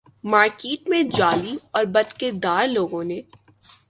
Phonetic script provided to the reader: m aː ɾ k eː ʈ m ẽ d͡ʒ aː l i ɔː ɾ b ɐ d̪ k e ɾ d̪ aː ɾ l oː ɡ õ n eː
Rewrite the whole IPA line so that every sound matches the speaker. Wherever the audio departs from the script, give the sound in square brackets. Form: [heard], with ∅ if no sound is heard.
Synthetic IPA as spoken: m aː ɾ k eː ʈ m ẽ d͡ʒ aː l i ɔː ɾ b ɐ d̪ k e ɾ d̪ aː ɾ l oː ɡ õ n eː